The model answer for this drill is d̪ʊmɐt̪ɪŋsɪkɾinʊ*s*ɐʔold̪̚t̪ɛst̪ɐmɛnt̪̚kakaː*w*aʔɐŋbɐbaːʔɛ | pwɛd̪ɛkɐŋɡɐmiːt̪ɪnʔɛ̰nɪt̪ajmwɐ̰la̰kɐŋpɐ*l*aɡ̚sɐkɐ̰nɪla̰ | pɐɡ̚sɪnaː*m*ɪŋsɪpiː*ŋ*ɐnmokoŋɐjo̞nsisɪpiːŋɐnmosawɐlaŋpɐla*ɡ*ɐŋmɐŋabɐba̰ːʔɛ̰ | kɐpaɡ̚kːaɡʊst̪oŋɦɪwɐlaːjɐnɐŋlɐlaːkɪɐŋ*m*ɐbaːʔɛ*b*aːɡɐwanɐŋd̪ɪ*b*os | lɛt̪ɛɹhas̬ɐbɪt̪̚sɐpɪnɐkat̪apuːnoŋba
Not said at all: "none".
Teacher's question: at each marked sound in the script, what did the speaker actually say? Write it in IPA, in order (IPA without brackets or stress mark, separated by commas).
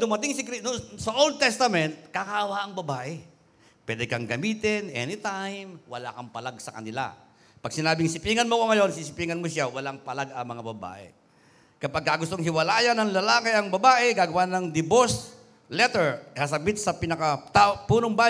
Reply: s, w, l, b, ŋ, ɡ, b, ɡ, b